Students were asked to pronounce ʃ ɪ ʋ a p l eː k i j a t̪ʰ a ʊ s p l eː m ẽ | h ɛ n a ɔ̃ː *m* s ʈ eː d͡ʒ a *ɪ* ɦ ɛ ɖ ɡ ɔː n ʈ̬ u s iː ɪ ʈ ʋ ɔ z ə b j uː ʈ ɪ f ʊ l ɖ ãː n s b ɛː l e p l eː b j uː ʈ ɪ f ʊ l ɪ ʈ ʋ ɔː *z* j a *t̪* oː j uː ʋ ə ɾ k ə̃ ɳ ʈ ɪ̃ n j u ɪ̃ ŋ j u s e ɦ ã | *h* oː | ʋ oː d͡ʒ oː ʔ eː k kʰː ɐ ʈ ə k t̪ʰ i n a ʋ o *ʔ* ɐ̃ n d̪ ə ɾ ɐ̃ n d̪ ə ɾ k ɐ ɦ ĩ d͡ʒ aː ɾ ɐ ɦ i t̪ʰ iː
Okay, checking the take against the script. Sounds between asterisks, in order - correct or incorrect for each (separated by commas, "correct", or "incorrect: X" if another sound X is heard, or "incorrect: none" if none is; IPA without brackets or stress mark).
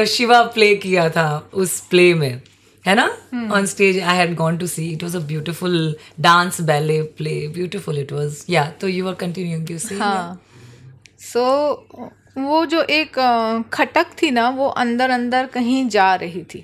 incorrect: n, correct, correct, correct, incorrect: s, correct